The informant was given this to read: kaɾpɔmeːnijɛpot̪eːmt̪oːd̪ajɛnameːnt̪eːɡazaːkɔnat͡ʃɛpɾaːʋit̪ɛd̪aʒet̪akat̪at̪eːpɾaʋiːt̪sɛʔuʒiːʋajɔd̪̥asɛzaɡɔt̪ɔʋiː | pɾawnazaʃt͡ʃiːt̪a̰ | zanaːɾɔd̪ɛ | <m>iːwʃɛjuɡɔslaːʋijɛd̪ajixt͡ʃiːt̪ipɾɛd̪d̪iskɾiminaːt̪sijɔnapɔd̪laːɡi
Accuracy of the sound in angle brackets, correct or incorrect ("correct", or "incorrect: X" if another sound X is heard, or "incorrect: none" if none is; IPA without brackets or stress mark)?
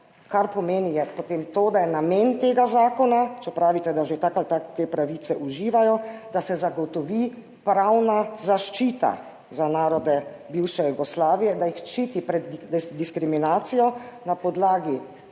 incorrect: b